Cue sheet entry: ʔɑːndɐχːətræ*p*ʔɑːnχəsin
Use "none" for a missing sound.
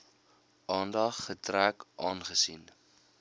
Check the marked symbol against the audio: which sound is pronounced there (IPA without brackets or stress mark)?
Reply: k